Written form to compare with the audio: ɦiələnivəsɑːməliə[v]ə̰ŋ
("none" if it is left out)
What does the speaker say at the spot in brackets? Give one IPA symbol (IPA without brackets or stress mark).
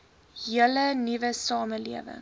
v